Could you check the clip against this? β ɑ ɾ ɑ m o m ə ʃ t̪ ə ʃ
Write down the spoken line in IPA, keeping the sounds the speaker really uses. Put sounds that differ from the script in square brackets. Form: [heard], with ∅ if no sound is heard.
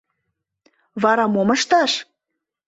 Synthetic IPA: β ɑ ɾ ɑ m o m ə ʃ t̪ [ɑ] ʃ